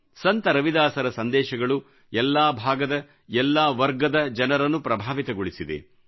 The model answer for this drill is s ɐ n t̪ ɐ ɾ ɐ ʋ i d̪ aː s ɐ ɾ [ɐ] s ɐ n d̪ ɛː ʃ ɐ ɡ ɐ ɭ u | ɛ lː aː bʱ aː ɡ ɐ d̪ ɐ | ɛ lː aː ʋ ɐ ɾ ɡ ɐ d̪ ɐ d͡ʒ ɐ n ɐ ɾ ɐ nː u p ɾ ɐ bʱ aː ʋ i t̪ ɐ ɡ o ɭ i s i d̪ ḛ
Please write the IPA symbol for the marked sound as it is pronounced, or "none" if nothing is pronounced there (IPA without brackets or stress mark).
ɐ